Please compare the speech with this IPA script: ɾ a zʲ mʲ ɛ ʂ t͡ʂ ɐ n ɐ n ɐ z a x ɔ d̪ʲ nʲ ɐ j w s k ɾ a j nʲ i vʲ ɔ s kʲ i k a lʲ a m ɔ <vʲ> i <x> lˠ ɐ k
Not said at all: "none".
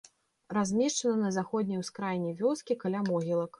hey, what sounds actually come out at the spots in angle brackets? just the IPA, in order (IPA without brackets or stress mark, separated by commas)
ɣʲ, none